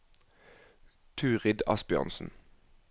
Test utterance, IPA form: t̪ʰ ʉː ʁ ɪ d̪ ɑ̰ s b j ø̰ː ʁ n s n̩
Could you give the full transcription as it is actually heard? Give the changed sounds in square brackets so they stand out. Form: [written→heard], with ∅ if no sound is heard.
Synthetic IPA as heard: t̪ʰ ʉː ʁ ɪ d̪ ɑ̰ s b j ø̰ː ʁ n s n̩